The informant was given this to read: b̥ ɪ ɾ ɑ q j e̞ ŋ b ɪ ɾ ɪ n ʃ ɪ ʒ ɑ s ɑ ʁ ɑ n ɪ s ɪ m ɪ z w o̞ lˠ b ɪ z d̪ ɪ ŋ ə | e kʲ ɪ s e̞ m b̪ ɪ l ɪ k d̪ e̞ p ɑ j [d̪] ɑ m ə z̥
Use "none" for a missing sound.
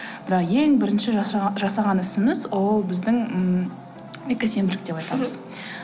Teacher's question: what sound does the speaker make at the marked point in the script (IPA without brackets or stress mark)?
t̪